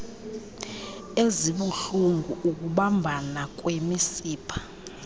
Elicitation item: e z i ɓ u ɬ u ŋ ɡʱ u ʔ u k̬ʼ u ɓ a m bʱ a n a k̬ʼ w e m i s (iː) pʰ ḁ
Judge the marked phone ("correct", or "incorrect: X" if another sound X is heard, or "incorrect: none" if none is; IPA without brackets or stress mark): correct